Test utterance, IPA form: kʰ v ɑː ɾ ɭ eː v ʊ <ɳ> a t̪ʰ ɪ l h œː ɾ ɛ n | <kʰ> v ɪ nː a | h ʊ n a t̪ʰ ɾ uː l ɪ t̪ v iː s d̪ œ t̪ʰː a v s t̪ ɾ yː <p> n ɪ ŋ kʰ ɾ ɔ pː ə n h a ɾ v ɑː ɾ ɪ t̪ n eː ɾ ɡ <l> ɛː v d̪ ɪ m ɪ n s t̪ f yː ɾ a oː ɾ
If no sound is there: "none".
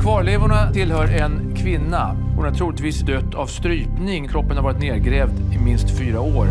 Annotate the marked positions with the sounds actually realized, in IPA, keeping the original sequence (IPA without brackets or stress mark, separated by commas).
ɳ, kʰ, p, ɾ